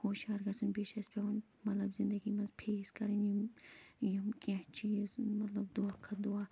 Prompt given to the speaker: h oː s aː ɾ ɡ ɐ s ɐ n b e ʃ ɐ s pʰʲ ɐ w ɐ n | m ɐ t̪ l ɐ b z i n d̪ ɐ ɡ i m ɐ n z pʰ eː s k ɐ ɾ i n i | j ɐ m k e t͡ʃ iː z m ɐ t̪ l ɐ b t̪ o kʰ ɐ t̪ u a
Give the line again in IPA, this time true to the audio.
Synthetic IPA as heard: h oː ʃ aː ɾ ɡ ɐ s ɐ n b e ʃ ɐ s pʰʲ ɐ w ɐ n | m ɐ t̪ l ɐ b z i n d̪ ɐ ɡ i m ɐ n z pʰ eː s k ɐ ɾ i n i | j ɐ m k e t͡ʃ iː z m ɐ t̪ l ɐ b d̪ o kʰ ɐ d̪ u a